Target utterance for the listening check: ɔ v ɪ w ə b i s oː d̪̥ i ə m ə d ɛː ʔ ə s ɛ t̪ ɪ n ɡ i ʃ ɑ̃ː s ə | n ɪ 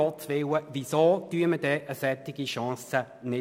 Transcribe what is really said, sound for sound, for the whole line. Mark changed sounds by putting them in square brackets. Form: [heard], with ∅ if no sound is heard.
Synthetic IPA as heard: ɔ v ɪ w ə [v] i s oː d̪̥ [y] ə m ə d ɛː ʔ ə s ɛ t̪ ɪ [∅] ɡ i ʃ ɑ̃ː s ə | n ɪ